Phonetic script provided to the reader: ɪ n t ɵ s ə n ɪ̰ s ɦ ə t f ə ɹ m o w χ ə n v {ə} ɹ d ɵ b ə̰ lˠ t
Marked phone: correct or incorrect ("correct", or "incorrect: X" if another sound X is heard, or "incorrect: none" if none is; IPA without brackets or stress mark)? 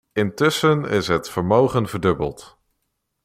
correct